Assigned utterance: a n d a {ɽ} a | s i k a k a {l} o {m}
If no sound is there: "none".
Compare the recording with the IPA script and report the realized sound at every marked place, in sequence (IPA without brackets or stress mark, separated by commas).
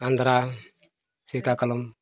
ɾ, l, m